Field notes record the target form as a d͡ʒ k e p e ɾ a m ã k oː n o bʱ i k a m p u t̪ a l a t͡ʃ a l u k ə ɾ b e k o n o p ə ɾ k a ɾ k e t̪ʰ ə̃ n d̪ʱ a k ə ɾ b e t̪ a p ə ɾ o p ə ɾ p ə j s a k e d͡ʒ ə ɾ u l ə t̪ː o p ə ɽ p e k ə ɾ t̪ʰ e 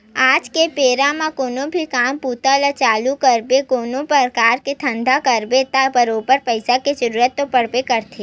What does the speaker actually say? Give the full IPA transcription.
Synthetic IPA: a d͡ʒ k e p e ɾ a m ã k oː n o bʱ i k a m p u t̪ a l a t͡ʃ a l u k ə ɾ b e k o n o p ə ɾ k a ɾ k e t̪ʰ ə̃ n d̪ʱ a k ə ɾ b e t̪ a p ə ɾ o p ə ɾ p ə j s a k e d͡ʒ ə ɾ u ɾ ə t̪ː o p ə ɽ p e k ə ɾ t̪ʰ e